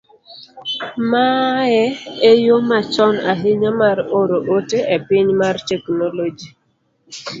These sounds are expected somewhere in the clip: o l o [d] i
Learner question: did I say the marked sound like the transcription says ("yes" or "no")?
no